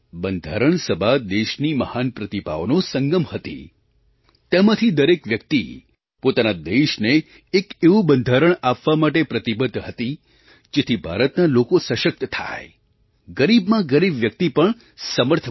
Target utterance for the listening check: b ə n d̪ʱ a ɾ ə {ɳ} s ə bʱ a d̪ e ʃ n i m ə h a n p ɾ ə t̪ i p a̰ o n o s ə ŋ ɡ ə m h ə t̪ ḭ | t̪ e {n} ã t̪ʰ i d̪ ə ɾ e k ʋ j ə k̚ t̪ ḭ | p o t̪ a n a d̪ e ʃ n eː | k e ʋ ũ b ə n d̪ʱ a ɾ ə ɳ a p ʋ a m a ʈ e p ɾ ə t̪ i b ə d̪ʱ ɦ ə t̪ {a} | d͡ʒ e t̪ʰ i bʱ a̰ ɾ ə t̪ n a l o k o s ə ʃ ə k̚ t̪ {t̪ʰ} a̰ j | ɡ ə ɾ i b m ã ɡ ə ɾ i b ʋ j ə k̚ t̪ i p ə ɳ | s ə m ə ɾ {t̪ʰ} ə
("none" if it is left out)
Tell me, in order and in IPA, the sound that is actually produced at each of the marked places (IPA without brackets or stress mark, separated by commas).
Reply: ɳ, m, i, t̪ʰ, t̪ʰ